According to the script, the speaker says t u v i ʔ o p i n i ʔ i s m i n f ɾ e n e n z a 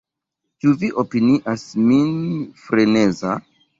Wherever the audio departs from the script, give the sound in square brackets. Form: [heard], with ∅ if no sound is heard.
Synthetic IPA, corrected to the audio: t u v i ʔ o p i n i ʔ [a] s m i n f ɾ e n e [∅] z a